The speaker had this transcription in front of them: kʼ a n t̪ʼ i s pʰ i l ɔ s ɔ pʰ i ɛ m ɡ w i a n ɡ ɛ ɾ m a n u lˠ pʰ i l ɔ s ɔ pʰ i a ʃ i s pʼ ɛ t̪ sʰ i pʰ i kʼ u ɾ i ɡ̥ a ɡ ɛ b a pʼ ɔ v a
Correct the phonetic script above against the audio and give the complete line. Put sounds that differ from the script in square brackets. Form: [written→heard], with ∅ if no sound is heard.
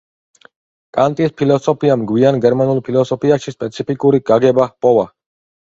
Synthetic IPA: kʼ a n t̪ʼ i s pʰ i l ɔ s ɔ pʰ i [ɛ→a] m ɡ w i a n ɡ ɛ ɾ m a n u lˠ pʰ i l ɔ s ɔ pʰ i a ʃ i s pʼ ɛ t̪ sʰ i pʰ i kʼ u ɾ i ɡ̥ a ɡ ɛ b a pʼ ɔ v a